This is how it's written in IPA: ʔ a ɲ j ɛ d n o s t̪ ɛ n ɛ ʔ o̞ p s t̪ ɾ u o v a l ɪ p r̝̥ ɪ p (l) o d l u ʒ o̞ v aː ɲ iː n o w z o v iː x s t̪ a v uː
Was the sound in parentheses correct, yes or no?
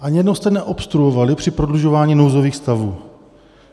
no